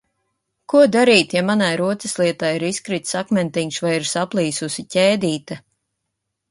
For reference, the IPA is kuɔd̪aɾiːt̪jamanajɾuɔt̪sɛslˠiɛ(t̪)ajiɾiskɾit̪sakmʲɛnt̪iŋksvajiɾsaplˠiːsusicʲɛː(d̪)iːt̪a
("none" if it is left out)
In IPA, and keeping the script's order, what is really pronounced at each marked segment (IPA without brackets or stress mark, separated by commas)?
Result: t̪, d̪